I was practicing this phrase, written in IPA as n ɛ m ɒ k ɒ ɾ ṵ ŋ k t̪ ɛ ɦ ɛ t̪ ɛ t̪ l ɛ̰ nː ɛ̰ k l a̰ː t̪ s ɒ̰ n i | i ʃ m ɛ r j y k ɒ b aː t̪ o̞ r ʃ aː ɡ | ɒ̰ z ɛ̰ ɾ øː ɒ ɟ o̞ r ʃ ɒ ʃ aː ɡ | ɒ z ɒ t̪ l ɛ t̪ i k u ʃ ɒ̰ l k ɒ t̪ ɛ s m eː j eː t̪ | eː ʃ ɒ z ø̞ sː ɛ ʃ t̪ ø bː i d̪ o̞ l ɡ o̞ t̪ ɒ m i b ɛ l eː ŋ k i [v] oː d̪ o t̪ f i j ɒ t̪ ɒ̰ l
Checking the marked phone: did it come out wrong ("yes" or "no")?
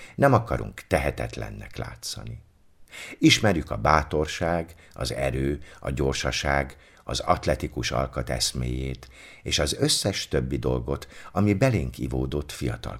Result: no